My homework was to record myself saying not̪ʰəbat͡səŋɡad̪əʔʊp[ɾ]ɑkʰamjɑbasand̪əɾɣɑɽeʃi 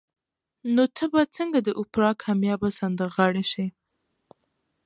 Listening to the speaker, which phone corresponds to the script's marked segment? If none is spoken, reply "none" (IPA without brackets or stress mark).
ɾ